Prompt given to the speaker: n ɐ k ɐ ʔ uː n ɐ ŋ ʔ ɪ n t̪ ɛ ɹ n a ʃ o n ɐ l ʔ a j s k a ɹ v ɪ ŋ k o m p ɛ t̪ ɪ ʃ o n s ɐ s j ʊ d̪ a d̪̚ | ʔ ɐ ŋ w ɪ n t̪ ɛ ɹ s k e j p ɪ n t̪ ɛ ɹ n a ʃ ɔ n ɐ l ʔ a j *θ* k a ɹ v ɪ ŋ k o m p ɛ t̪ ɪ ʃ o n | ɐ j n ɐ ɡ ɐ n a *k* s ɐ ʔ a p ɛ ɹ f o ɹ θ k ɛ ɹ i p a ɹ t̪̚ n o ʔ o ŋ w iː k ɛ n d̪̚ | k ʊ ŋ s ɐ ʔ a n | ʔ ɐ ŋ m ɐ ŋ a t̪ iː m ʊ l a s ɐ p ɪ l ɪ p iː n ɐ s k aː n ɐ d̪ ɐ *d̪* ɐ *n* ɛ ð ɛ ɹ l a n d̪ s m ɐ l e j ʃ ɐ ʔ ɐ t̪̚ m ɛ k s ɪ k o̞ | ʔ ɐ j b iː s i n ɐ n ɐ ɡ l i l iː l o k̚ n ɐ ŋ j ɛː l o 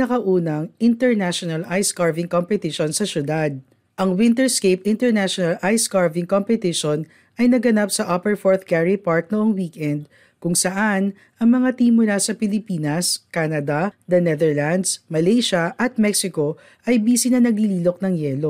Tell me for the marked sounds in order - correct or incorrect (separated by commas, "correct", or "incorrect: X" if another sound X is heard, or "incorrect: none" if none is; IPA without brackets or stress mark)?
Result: incorrect: s, incorrect: p, correct, correct